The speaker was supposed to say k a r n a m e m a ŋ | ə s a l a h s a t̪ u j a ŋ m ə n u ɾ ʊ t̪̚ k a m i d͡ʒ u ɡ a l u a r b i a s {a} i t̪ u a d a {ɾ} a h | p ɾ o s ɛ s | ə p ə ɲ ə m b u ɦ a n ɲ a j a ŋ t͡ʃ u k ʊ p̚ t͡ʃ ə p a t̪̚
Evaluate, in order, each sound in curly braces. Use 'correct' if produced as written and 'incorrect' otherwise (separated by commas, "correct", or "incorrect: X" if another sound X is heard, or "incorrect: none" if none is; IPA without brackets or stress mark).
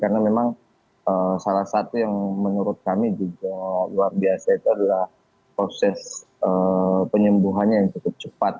correct, incorrect: l